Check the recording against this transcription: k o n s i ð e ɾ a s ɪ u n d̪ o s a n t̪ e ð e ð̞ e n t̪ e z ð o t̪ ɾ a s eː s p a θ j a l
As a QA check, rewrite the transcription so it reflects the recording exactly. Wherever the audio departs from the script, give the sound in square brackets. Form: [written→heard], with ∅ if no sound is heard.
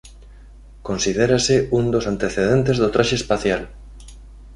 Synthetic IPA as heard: k o n s i ð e ɾ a s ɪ u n d̪ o s a n t̪ e [ð→θ] e ð̞ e n t̪ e z ð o t̪ ɾ a [s→ʃ] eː s p a θ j a l